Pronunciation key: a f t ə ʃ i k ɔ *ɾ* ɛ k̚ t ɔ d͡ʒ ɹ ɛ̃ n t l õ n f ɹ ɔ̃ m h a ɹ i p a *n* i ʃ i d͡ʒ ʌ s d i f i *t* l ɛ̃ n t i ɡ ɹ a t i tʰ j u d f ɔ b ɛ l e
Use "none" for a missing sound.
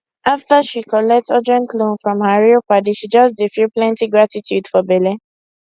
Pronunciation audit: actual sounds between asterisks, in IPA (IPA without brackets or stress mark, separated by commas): l, d, p